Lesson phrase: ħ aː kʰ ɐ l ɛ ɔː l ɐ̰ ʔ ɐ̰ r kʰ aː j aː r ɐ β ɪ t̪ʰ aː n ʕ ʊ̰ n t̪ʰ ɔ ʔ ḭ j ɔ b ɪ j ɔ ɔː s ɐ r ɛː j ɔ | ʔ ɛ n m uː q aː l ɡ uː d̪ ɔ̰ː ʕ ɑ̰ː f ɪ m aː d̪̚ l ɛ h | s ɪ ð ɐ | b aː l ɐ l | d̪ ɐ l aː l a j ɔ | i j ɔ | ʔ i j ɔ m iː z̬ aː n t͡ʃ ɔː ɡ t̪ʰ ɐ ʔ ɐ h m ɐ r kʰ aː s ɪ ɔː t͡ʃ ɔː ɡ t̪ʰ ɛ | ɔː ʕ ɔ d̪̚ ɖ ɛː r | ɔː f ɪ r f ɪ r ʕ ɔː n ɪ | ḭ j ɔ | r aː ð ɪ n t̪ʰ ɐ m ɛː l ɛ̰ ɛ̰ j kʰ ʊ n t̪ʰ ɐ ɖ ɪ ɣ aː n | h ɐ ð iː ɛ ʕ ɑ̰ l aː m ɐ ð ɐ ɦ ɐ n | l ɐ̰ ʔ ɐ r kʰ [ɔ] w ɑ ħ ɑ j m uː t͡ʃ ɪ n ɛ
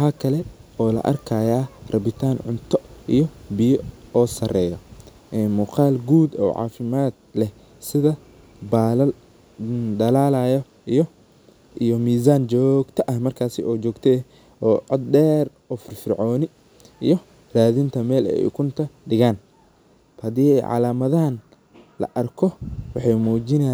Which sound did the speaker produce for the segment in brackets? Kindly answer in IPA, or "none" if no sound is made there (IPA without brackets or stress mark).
ɔ